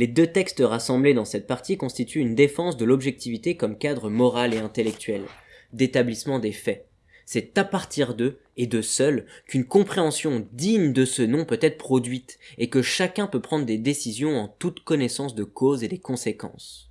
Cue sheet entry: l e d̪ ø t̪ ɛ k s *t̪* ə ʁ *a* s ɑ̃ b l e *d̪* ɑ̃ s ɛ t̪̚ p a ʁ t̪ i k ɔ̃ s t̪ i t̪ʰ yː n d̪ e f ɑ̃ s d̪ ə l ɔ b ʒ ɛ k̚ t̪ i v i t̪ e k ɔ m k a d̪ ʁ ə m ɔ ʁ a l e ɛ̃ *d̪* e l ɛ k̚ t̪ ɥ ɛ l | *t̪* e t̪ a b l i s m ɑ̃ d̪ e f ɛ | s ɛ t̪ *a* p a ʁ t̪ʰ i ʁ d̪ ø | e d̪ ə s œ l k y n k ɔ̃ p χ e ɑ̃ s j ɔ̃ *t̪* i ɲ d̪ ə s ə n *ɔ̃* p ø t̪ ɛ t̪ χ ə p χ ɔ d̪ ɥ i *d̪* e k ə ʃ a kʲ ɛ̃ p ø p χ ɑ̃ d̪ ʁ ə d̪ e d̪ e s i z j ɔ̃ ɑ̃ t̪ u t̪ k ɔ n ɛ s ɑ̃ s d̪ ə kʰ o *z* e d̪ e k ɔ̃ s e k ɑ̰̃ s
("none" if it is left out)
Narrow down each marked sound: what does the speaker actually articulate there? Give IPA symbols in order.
t̪, a, d̪, t̪, d̪, a, d̪, ɔ̃, t̪, z

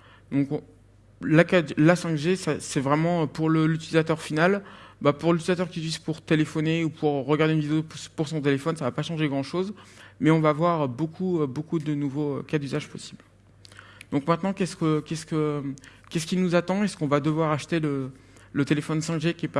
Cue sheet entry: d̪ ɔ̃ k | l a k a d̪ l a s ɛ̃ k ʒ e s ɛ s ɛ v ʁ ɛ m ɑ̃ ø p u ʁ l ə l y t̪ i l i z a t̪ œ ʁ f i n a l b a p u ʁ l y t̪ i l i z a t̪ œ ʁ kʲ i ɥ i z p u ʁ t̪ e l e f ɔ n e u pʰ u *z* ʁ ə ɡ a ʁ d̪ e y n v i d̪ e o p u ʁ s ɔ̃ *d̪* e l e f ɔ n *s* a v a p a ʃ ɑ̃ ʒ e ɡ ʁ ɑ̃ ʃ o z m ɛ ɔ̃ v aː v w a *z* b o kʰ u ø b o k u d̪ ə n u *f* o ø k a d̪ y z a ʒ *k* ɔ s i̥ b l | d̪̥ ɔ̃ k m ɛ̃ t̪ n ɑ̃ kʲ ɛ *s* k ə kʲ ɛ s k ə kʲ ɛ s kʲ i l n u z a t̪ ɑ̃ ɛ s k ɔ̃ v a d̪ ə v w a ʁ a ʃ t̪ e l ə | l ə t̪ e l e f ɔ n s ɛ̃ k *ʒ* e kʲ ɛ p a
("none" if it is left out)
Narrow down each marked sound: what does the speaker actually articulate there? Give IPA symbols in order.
ʁ, t̪, s, ʁ, v, p, s, ʒ

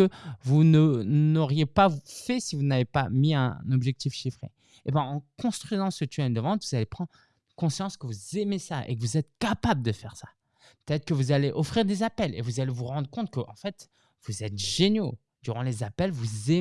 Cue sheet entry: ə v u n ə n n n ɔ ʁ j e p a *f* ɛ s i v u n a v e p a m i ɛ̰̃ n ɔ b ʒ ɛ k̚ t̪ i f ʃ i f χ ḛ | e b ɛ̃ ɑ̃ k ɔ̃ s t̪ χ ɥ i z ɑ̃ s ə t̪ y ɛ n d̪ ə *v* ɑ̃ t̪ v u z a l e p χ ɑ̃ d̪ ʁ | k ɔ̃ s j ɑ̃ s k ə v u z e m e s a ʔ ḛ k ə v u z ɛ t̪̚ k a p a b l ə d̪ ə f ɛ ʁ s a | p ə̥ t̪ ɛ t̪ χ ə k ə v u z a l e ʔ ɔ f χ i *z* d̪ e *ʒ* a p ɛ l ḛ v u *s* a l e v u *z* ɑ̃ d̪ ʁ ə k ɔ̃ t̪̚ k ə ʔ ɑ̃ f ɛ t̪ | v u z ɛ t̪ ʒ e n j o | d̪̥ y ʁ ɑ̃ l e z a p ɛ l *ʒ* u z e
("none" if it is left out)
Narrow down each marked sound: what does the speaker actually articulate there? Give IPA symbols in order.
f, v, ʁ, z, z, ʁ, v

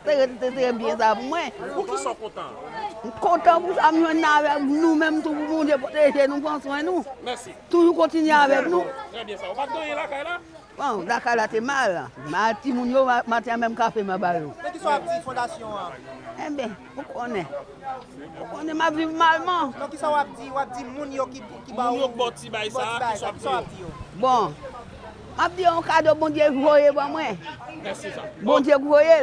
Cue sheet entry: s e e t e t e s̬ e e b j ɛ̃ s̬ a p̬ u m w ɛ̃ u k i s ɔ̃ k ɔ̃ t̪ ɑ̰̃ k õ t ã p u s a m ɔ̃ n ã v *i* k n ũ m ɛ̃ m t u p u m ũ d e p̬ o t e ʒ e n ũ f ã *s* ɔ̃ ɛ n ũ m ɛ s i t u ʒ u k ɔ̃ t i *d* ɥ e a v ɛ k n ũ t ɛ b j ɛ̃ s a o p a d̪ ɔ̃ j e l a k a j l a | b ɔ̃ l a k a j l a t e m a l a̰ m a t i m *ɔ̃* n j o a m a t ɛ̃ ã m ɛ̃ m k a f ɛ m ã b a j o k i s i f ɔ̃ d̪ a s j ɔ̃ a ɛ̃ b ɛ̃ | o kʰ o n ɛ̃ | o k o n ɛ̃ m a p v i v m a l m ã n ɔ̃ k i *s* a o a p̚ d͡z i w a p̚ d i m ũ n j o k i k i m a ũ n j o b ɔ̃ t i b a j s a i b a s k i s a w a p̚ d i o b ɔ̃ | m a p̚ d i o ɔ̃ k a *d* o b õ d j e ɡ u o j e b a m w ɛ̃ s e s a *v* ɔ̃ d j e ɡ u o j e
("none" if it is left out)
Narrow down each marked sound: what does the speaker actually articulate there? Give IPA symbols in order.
ɛ, s, n, ũ, s, d, b

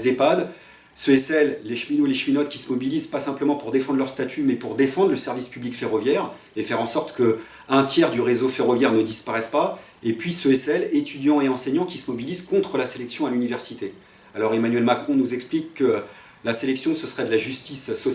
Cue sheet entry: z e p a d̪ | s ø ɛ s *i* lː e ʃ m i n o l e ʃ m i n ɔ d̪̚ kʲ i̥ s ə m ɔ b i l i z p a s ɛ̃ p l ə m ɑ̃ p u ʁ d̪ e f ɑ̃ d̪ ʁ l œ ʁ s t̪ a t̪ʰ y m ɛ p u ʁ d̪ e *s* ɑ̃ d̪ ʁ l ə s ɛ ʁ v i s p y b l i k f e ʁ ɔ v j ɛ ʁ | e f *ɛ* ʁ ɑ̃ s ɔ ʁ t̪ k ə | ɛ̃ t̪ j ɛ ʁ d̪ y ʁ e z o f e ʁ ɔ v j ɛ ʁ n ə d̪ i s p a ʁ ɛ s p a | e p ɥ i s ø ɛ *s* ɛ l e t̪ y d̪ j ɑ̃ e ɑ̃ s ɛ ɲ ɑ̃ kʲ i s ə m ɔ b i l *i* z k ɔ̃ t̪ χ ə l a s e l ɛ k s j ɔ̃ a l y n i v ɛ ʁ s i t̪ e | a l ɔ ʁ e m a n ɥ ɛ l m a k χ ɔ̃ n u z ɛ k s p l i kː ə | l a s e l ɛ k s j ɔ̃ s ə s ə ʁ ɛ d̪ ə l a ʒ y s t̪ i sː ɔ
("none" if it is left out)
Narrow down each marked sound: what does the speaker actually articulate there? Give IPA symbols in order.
ɛ, f, ɛ, s, i

